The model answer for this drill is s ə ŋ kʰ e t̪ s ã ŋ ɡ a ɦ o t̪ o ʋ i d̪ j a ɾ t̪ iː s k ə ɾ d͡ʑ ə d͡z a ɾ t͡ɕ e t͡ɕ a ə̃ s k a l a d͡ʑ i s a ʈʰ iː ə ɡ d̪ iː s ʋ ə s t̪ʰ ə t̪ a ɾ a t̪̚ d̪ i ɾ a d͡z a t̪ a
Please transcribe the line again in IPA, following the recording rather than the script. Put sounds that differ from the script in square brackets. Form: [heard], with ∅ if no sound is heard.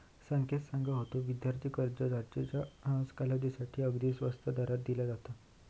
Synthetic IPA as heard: s ə ŋ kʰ e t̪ s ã ŋ ɡ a ɦ o t̪ o ʋ i d̪ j a ɾ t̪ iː [∅] k ə ɾ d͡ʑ ə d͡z a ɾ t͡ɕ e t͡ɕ a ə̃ s k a l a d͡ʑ i s a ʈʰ iː ə ɡ d̪ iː s ʋ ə s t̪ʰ ə [d̪] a ɾ a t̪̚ d̪ i [l] a d͡z a t̪ a

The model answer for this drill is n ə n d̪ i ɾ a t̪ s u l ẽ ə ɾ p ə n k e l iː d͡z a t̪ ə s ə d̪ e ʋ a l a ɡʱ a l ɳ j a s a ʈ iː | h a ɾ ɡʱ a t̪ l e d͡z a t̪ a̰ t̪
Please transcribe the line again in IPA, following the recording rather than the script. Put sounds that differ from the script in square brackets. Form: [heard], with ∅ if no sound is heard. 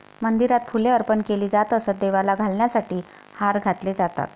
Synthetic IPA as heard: [m] ə n d̪ i ɾ a t̪ [f] u l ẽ ə ɾ p ə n k e l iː d͡z a t̪ ə s ə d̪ e ʋ a l a ɡʱ a l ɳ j a s a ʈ iː | h a ɾ ɡʱ a t̪ l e d͡z a t̪ a̰ t̪

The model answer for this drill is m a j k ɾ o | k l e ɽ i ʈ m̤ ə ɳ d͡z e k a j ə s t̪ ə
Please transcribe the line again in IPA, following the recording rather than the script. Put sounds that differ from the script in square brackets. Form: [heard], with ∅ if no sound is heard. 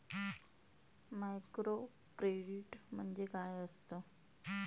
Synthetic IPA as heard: m a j k ɾ o | k [ɾ] e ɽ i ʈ m̤ ə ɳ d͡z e k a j ə s t̪ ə

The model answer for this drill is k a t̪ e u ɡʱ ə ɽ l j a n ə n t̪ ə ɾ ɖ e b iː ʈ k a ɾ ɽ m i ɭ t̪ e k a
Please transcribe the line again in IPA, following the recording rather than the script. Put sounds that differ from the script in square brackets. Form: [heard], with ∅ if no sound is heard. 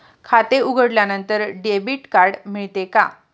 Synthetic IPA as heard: [kʰ] a t̪ e u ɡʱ ə ɽ l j a n ə n t̪ ə ɾ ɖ e b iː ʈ k a ɾ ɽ m i ɭ t̪ e k a

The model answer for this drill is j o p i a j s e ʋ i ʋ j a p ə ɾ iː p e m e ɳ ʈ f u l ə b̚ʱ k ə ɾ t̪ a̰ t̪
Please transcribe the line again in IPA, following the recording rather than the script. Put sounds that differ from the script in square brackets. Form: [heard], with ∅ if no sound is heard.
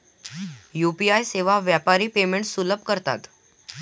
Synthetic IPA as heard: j [u] p i a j s e ʋ [a] ʋ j a p [a] ɾ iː p e m e ɳ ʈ [s] u l ə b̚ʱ k ə ɾ t̪ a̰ t̪

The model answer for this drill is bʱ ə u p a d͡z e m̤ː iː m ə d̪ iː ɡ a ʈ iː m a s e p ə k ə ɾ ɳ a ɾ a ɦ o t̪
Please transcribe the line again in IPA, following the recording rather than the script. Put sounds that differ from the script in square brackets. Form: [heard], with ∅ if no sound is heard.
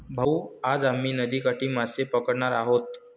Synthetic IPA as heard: bʱ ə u [∅] a d͡z [a] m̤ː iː [n] ə d̪ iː [k] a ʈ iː m a s e p ə k ə [ɽ] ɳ a ɾ a ɦ o t̪

